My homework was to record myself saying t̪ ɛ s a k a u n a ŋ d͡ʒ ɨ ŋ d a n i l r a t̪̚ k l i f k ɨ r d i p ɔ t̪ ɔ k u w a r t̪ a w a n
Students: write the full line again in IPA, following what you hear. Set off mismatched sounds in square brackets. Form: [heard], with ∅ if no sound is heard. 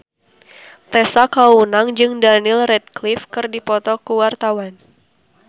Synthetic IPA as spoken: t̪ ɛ s a k a u n a ŋ d͡ʒ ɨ ŋ d a n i l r [ɛ] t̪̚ k l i f k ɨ r d i p ɔ t̪ ɔ k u w a r t̪ a w a n

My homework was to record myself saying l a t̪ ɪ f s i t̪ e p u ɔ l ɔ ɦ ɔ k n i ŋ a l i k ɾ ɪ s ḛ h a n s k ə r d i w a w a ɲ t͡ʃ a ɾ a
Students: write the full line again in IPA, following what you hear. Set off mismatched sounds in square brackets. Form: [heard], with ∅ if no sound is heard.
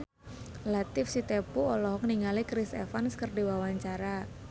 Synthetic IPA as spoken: l a t̪ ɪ f s i t̪ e p u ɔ l ɔ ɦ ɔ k n i ŋ a l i k ɾ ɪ s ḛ [f] a n s k ə r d i w a w a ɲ t͡ʃ a ɾ a

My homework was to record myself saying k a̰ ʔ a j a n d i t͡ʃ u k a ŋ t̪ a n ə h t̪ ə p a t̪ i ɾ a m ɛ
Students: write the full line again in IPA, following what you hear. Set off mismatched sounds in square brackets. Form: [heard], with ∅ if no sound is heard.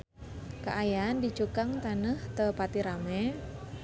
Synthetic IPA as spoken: k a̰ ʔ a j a n d i t͡ʃ u k a ŋ t̪ a n ə h t̪ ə p a t̪ i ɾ a m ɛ

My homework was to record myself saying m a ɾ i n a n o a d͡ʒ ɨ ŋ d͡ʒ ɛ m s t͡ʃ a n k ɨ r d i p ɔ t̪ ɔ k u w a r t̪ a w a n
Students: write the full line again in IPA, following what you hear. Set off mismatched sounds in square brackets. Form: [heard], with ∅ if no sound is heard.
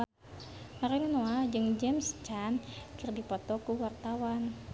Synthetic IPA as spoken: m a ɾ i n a n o a d͡ʒ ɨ ŋ d͡ʒ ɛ m s t͡ʃ a n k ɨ r d i p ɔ t̪ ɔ k u w a r t̪ a w a n

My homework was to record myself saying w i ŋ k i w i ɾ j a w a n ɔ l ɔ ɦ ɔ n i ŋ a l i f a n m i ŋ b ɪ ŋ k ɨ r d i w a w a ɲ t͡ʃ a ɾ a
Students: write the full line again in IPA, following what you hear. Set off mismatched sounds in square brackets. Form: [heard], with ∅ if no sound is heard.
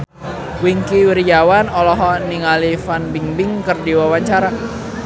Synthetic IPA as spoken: w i ŋ k i w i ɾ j a w a n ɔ l ɔ ɦ ɔ n i ŋ a l i f a n [b] i ŋ b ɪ ŋ k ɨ r d i w a w a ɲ t͡ʃ a ɾ a

